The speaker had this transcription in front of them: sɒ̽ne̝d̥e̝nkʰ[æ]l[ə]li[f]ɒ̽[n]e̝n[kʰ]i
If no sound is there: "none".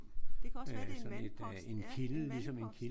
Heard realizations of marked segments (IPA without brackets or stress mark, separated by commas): i, ə, s, m, kʰ